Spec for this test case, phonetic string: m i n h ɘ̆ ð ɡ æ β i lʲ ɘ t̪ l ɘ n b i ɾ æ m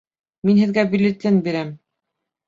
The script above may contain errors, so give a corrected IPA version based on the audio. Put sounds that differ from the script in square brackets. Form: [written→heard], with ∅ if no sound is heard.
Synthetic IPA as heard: m i n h ɘ̆ ð ɡ æ [β→b] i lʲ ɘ t̪ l ɘ n b i ɾ æ m